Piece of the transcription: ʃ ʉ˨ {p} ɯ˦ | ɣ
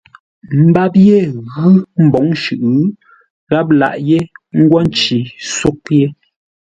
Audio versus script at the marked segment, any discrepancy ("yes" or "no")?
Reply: yes